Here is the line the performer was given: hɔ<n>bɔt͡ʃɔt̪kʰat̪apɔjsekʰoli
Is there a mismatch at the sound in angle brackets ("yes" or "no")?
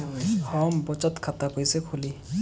yes